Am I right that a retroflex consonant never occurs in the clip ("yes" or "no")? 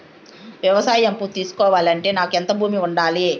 no